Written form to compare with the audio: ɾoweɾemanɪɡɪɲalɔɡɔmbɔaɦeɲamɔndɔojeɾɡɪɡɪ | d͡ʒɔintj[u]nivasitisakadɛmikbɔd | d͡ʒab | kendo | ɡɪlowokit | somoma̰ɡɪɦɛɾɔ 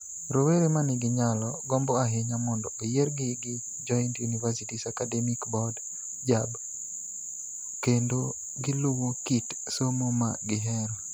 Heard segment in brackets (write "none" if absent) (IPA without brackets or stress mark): u